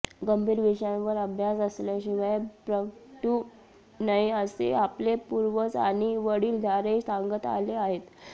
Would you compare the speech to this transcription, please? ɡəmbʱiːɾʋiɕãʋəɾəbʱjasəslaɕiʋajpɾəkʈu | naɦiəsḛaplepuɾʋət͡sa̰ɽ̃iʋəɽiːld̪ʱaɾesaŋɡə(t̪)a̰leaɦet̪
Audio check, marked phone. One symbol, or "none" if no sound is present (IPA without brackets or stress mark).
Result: t̪